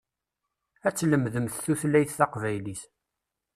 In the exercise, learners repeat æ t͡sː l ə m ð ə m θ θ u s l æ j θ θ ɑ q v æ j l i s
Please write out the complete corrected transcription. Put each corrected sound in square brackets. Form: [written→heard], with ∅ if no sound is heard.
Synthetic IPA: æ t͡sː l ə m ð ə m θ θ u [s→θ] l æ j θ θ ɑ q v æ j l i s